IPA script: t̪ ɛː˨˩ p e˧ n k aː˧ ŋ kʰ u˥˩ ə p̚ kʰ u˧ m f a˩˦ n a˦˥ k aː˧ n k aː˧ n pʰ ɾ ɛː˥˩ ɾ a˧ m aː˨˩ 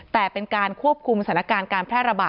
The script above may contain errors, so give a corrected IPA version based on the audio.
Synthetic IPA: t̪ ɛː˨˩ p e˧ n k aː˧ n kʰ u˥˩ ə p̚ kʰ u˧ m s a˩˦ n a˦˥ k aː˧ n k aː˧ n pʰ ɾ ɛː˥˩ ɾ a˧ b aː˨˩